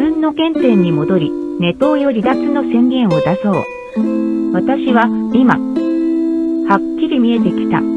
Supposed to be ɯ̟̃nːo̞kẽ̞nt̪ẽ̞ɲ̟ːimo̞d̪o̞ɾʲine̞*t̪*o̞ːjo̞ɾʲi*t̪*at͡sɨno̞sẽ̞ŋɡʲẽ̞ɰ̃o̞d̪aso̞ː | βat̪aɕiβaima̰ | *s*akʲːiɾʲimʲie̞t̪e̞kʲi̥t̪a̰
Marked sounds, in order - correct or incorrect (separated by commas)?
correct, incorrect, incorrect